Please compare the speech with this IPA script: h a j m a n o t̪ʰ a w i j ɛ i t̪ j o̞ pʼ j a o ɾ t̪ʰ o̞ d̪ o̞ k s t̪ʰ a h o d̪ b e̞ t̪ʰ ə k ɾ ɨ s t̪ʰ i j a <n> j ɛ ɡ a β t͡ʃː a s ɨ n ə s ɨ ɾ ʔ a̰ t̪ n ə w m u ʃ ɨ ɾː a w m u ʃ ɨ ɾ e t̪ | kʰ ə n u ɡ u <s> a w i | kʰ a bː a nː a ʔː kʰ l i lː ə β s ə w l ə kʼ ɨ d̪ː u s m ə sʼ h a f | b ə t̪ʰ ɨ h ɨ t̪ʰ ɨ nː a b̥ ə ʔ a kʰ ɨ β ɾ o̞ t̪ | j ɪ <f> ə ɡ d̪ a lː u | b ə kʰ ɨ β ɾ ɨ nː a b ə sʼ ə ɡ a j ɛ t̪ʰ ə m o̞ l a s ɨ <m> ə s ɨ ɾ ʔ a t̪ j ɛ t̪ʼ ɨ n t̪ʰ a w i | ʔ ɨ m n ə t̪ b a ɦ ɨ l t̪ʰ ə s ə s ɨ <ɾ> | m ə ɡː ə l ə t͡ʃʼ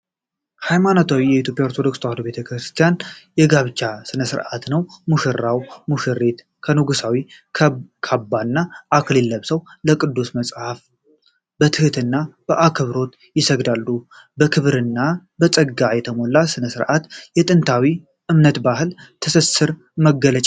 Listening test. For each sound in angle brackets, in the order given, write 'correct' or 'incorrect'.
correct, correct, incorrect: s, incorrect: n, correct

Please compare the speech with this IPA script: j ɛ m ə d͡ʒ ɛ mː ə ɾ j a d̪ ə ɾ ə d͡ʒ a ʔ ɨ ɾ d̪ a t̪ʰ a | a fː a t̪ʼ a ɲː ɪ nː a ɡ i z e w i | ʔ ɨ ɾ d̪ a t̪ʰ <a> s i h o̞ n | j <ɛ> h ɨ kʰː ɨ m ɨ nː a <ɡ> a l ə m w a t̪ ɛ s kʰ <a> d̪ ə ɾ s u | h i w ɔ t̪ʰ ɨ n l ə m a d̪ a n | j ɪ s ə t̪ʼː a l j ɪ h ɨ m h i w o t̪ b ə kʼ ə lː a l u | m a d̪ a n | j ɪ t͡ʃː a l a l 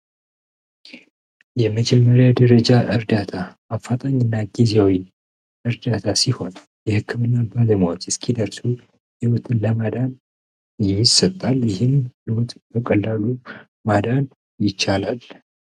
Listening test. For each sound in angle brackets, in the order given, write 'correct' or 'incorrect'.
correct, correct, incorrect: b, incorrect: i

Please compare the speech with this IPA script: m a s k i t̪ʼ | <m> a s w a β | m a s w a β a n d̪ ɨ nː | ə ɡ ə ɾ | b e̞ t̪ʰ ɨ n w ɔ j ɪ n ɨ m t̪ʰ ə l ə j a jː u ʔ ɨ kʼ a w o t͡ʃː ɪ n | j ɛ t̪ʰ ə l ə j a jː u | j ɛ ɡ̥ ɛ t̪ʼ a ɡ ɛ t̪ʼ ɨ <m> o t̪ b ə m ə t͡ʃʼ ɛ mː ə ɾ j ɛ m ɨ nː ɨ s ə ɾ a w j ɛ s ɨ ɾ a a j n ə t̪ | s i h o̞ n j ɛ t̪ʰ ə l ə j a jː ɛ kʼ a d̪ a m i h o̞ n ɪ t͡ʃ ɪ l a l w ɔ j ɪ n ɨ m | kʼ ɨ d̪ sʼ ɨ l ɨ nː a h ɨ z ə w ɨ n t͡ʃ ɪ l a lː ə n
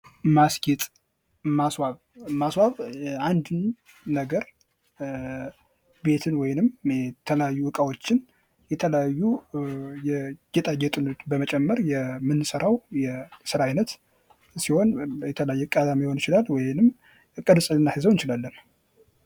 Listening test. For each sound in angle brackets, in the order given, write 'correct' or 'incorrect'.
correct, incorrect: n

